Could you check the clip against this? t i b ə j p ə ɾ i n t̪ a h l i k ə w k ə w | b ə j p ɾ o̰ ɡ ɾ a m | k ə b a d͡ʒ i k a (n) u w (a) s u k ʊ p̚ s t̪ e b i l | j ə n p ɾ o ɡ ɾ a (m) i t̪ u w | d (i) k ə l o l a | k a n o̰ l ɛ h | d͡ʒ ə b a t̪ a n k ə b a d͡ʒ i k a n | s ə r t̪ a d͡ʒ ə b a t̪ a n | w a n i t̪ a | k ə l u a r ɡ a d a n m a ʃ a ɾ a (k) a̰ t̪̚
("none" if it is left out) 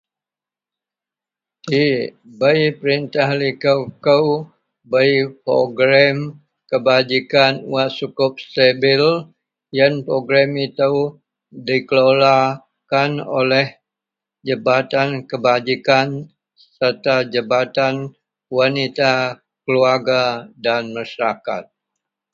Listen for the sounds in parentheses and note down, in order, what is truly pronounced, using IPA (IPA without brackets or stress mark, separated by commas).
n, a, m, i, k